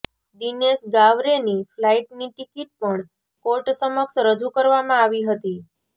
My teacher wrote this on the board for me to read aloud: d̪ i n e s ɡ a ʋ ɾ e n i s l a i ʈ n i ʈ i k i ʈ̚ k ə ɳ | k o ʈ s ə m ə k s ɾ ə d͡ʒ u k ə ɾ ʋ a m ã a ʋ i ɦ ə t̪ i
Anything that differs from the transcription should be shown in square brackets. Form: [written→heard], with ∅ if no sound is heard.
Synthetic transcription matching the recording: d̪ i n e s ɡ a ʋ ɾ e n i [s→f] l a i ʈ n i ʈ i k i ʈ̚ [k→p] ə ɳ | k o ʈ s ə m ə k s ɾ ə d͡ʒ u k ə ɾ ʋ a m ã a ʋ i ɦ ə t̪ i